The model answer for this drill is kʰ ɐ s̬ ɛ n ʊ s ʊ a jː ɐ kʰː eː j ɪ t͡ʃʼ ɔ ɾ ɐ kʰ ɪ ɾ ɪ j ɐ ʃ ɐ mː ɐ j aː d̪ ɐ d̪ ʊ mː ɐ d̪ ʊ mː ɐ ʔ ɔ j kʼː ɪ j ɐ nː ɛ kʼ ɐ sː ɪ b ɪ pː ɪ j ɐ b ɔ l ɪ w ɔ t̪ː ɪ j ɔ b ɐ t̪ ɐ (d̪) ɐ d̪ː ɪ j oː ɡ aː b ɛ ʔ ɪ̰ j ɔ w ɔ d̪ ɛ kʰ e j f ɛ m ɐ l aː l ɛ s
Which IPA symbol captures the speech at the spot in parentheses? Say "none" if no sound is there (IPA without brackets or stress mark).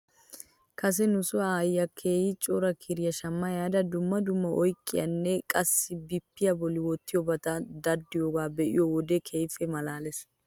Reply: d̪